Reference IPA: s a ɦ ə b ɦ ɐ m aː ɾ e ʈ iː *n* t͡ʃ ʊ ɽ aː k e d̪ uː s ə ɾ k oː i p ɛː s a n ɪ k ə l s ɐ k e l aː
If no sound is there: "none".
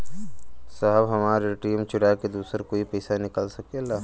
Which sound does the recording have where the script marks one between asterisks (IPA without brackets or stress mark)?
m